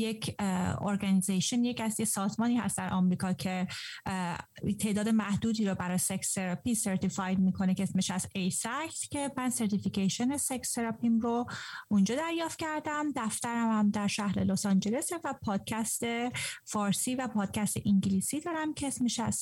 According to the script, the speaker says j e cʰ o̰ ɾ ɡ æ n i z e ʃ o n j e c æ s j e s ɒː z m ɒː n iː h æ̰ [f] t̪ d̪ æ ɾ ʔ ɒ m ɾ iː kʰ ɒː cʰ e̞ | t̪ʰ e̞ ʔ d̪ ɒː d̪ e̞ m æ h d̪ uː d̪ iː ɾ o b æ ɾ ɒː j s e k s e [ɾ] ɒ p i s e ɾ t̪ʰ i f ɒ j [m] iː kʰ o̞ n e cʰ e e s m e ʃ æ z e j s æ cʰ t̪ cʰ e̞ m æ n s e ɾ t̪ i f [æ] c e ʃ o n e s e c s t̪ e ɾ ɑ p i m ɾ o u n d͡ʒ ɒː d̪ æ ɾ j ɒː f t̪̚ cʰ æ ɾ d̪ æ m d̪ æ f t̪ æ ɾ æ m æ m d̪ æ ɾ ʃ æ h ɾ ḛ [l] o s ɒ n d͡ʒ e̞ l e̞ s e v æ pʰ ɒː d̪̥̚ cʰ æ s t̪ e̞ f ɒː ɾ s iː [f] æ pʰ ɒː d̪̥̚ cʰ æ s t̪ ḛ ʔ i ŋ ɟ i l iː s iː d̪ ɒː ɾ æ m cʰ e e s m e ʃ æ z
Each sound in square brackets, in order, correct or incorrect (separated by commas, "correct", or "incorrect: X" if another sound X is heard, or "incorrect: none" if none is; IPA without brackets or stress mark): incorrect: s, correct, correct, incorrect: i, correct, incorrect: v